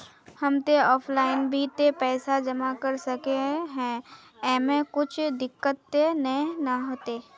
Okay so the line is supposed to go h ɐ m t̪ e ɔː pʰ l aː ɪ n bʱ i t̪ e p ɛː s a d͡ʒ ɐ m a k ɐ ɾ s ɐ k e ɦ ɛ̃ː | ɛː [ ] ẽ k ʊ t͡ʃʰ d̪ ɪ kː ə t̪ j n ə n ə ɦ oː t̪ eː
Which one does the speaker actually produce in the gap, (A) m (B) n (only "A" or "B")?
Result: A